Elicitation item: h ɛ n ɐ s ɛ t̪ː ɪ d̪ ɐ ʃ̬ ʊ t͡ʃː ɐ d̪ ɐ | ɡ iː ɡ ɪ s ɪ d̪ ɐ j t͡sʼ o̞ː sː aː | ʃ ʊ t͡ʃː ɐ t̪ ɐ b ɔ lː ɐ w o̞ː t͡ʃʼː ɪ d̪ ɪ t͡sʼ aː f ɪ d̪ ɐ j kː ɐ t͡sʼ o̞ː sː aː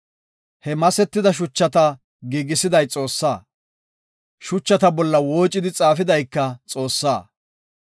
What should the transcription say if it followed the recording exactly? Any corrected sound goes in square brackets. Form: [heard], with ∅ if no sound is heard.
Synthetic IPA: h ɛ [m] ɐ s ɛ t̪ː ɪ d̪ ɐ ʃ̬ ʊ t͡ʃː ɐ [t̪] ɐ | ɡ iː ɡ ɪ s ɪ d̪ ɐ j t͡sʼ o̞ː sː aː | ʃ ʊ t͡ʃː ɐ t̪ ɐ b ɔ lː ɐ w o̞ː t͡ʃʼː ɪ d̪ ɪ t͡sʼ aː f ɪ d̪ ɐ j kː ɐ t͡sʼ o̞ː sː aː